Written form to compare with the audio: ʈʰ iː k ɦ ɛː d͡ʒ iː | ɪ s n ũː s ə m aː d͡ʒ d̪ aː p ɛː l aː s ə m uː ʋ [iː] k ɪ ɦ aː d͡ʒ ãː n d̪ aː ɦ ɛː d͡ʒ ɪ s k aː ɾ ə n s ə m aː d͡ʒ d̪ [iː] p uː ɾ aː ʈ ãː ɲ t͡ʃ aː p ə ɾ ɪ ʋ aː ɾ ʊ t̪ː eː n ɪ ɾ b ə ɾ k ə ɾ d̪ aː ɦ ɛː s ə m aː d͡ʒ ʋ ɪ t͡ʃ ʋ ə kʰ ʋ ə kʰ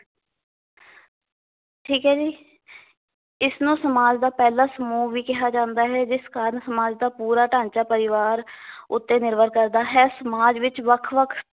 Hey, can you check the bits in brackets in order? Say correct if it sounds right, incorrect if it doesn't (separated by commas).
correct, incorrect